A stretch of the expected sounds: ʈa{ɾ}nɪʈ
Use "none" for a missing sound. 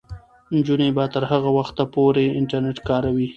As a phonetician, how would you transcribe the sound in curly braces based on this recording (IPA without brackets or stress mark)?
ɾ